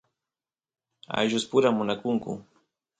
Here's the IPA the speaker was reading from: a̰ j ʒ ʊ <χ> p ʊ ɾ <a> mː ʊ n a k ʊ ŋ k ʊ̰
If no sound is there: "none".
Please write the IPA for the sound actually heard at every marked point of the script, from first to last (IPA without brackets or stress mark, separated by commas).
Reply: s, a